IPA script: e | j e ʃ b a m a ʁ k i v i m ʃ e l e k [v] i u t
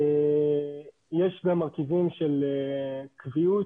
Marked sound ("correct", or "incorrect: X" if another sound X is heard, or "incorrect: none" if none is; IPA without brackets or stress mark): correct